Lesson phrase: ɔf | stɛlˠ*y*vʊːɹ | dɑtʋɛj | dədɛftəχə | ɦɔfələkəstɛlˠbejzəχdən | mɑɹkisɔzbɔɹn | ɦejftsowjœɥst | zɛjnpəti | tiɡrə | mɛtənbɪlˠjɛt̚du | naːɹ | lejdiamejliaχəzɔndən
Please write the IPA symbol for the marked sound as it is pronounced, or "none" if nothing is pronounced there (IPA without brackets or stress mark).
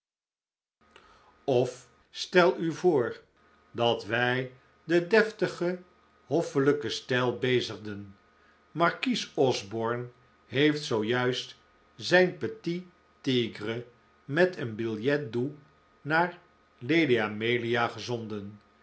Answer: y